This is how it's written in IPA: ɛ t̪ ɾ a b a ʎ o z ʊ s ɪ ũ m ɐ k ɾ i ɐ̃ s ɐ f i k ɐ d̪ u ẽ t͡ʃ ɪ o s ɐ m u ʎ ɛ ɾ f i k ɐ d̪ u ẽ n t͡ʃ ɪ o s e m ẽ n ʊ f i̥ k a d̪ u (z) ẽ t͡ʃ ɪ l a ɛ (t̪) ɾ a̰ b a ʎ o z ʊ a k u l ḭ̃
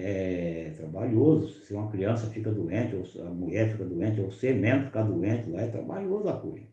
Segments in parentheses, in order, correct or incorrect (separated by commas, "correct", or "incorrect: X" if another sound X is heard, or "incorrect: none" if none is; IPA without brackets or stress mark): incorrect: none, correct